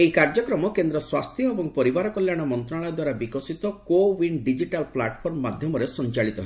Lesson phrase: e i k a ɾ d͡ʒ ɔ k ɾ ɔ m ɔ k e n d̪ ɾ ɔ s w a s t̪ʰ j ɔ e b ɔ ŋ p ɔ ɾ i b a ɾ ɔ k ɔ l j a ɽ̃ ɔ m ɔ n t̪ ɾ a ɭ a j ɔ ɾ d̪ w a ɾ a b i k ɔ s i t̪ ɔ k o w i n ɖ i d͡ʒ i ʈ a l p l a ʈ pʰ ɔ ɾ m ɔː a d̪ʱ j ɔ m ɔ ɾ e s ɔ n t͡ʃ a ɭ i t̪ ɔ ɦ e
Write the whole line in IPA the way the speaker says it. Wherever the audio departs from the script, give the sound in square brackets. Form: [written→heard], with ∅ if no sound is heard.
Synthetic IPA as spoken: e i k a ɾ d͡ʒ ɔ k ɾ ɔ m ɔ k e n d̪ ɾ ɔ s w a s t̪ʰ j ɔ e b ɔ ŋ p ɔ ɾ i b a ɾ ɔ k ɔ l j a ɽ̃ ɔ m ɔ n t̪ ɾ a ɭ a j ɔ [ɾ→∅] d̪ w a ɾ a b i k ɔ s i t̪ ɔ k o w i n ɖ i d͡ʒ i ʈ a l p l a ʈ pʰ ɔ ɾ m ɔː a d̪ʱ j ɔ m ɔ ɾ e s ɔ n t͡ʃ a ɭ i t̪ ɔ ɦ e

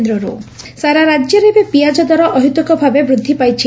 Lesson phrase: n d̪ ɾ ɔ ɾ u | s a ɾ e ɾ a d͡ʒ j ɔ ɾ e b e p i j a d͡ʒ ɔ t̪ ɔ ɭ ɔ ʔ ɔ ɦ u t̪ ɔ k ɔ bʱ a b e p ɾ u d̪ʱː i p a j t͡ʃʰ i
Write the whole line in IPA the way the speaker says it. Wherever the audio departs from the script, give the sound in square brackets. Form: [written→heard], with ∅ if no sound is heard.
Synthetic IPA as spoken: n d̪ ɾ ɔ ɾ u | s a ɾ [e→a] ɾ a d͡ʒ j ɔ ɾ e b e p i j a d͡ʒ ɔ [t̪→d̪] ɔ [ɭ→ɾ] ɔ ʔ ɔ ɦ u t̪ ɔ k ɔ bʱ a b e [p→b] ɾ u d̪ʱː i p a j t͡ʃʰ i

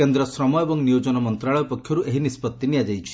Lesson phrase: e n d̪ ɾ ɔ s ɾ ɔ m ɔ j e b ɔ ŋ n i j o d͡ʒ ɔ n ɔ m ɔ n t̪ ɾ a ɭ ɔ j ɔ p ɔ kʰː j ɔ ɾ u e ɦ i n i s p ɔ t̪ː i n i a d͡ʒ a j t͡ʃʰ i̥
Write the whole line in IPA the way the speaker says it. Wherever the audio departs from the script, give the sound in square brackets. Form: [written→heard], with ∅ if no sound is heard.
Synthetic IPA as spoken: e n d̪ ɾ ɔ s ɾ ɔ m ɔ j e b ɔ ŋ n i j o d͡ʒ ɔ n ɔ m ɔ n t̪ ɾ a ɭ ɔ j ɔ p ɔ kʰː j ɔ ɾ u e ɦ i n i s p ɔ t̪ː i n i a d͡ʒ a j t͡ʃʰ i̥

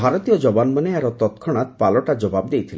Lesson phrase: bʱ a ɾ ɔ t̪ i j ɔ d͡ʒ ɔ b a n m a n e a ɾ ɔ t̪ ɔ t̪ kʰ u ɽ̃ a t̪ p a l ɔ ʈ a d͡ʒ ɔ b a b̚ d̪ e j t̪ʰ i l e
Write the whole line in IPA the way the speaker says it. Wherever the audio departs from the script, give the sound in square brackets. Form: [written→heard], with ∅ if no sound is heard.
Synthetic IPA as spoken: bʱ a ɾ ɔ t̪ i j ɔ d͡ʒ ɔ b a n m a n e a ɾ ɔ t̪ ɔ t̪ kʰ [u→ɔ] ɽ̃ a t̪ p a l ɔ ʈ a d͡ʒ ɔ b a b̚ d̪ e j t̪ʰ i l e

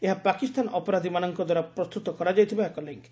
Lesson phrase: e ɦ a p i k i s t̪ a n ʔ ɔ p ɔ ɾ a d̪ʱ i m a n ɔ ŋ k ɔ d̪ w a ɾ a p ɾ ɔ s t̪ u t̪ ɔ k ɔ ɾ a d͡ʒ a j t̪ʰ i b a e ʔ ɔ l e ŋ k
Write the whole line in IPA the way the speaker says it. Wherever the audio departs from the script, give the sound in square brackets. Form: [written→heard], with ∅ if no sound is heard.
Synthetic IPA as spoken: e ɦ a p [i→a] k i s t̪ a n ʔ ɔ p ɔ ɾ a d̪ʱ i m a n ɔ ŋ k ɔ d̪ w a ɾ a p ɾ ɔ s t̪ u t̪ ɔ k ɔ ɾ a d͡ʒ a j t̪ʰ i b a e [ʔ→k] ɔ l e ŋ k

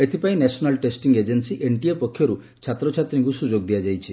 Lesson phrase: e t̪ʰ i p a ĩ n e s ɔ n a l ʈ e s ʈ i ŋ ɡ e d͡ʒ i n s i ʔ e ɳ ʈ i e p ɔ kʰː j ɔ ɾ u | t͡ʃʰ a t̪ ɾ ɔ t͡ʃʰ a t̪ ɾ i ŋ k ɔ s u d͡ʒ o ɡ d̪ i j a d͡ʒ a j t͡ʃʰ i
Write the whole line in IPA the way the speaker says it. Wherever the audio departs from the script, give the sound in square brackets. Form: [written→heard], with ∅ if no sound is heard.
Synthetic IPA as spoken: e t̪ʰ i p a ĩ n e s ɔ n a l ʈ e s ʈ i ŋ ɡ e d͡ʒ [i→e] n s i ʔ e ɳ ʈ i e p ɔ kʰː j ɔ ɾ u | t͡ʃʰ a t̪ ɾ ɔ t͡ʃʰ a t̪ ɾ i ŋ k [ɔ→u] s u d͡ʒ o ɡ d̪ i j a d͡ʒ a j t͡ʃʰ i

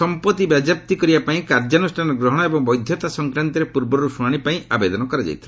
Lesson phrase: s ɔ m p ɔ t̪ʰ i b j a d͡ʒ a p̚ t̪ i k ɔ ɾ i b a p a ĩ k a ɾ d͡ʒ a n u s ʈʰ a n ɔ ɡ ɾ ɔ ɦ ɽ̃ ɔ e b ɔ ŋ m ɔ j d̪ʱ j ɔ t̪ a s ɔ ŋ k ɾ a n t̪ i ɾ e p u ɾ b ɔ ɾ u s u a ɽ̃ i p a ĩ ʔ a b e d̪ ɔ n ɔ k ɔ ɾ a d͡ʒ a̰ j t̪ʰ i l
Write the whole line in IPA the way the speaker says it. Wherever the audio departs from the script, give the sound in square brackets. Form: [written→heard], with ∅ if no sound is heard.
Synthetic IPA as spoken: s ɔ m p ɔ [t̪ʰ→t̪] i b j a d͡ʒ a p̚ t̪ i k ɔ ɾ i b a p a ĩ k a ɾ d͡ʒ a n u s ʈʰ a n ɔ ɡ ɾ ɔ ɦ ɽ̃ ɔ e b ɔ ŋ [m→b] ɔ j d̪ʱ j ɔ t̪ a s ɔ ŋ k ɾ a n t̪ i ɾ e p u ɾ b ɔ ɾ u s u a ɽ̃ i p a ĩ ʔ a b e d̪ ɔ n ɔ k ɔ ɾ a d͡ʒ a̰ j t̪ʰ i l

